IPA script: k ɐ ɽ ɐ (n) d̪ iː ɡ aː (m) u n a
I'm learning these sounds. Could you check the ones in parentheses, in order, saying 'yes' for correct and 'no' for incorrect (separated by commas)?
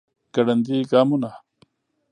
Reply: yes, yes